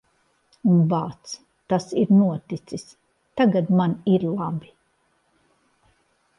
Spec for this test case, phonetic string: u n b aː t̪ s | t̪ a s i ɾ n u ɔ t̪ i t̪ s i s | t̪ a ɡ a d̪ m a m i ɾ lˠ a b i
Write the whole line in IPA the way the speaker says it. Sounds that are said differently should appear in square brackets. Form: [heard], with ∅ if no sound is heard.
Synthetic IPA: u n b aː t̪ s | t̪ a s i ɾ n u ɔ t̪ i t̪ s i s | t̪ a ɡ a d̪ m a [n] i ɾ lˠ a b i